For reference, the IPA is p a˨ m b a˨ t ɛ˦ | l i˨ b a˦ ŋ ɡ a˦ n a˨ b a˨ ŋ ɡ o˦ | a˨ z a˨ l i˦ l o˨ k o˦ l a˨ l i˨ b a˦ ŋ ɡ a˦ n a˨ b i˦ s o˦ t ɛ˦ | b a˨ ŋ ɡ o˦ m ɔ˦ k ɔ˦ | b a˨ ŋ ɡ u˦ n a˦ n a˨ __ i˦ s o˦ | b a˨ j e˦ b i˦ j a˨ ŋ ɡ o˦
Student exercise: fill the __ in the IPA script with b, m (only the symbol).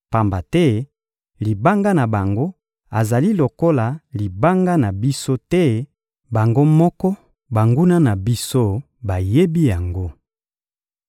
b